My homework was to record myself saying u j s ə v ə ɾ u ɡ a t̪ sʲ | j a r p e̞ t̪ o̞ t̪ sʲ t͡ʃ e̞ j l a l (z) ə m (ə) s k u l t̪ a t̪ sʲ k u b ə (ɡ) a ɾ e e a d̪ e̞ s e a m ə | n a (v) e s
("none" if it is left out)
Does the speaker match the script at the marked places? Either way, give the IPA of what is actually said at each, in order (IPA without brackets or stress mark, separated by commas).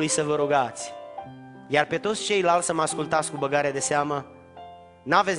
s, a, ɡ, v